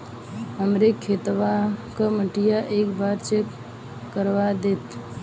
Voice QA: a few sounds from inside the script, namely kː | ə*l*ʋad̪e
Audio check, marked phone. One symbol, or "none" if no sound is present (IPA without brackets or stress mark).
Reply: ɾ